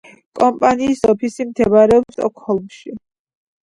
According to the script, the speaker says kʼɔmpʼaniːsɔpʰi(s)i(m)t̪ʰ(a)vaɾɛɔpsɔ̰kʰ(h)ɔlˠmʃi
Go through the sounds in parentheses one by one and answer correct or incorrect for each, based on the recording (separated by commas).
correct, correct, incorrect, correct